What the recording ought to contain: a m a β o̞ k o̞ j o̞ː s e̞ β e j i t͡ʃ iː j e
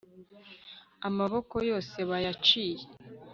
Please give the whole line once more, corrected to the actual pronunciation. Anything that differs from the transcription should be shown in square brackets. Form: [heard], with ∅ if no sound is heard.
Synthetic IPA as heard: a m a β o̞ k o̞ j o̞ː s e̞ β [a] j [a] t͡ʃ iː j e